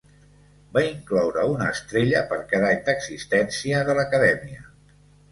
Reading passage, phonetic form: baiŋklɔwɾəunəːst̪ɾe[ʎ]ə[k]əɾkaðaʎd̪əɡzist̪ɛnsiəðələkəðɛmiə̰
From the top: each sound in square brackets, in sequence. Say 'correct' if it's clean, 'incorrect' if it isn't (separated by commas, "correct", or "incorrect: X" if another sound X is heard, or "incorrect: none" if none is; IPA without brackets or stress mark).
correct, incorrect: p